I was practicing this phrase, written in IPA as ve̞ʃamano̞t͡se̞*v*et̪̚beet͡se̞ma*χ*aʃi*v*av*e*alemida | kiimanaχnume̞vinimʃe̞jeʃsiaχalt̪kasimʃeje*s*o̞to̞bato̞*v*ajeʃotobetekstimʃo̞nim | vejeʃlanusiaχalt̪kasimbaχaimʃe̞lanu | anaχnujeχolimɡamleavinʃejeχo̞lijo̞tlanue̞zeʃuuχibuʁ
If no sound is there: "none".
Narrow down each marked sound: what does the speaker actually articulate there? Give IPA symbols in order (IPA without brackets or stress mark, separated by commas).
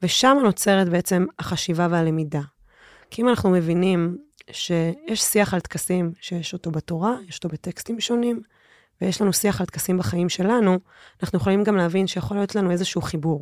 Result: ʁ, χ, v, e, ʃ, ʁ